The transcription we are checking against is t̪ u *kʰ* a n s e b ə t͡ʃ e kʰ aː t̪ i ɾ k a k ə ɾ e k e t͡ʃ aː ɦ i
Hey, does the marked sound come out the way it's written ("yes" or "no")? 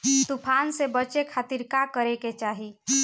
no